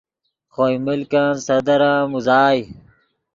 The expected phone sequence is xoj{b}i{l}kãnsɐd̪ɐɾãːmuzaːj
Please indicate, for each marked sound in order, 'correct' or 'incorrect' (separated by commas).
incorrect, correct